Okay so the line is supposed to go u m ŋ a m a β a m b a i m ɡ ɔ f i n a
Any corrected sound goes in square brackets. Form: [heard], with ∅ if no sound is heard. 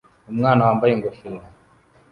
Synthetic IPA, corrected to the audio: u m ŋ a [n] a [w] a m b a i [ŋ] ɡ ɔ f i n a